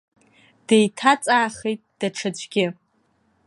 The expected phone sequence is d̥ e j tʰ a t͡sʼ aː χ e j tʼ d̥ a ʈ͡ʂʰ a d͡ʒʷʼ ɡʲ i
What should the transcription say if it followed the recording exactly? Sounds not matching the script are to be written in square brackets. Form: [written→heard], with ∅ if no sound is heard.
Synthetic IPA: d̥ e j tʰ a t͡sʼ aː χ e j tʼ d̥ a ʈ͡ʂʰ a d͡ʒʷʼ ɡʲ [i→ɪ]